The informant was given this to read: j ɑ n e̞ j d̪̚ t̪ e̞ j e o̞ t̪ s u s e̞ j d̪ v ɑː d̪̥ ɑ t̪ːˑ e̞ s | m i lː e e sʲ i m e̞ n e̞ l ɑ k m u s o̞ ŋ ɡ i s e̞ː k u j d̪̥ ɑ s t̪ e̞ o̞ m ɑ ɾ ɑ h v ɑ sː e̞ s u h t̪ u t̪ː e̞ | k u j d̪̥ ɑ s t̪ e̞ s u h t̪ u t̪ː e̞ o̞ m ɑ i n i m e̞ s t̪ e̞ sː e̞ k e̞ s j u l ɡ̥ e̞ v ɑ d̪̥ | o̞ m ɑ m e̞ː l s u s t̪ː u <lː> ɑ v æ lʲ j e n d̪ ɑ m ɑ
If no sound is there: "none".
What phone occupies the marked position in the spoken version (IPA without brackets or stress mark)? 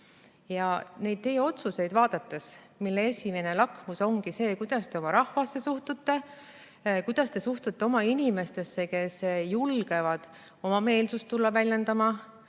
lː